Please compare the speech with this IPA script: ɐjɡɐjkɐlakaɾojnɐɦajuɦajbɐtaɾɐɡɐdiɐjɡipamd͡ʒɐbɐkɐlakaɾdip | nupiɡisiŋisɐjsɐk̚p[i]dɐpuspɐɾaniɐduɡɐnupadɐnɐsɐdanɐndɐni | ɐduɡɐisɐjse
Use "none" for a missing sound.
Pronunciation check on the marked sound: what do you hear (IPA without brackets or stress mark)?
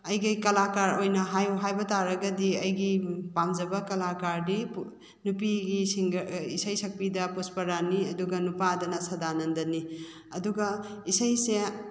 i